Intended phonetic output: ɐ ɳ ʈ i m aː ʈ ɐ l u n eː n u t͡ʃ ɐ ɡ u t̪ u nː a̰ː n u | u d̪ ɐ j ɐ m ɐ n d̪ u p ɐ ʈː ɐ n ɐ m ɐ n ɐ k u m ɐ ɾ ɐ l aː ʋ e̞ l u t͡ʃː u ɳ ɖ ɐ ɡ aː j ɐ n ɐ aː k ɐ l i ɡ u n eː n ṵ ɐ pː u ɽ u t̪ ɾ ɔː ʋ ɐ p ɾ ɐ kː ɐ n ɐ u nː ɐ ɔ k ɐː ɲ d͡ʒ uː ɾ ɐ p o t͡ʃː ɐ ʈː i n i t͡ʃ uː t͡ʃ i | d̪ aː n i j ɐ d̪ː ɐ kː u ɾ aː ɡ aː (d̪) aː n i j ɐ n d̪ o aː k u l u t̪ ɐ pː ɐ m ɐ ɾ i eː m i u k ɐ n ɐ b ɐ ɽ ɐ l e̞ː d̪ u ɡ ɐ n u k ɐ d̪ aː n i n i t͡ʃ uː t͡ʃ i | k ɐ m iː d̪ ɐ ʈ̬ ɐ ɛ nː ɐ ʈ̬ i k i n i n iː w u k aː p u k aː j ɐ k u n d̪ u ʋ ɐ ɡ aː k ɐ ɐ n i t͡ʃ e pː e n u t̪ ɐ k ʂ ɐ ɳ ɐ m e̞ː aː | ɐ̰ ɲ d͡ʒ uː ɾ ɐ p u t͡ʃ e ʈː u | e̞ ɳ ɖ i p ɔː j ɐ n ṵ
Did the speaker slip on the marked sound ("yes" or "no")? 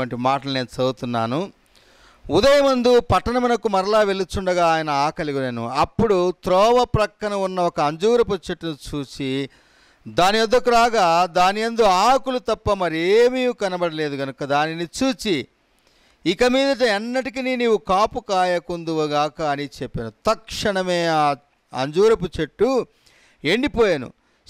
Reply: no